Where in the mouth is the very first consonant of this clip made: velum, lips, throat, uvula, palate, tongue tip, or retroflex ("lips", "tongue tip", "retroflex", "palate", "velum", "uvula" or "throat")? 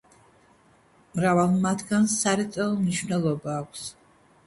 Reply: lips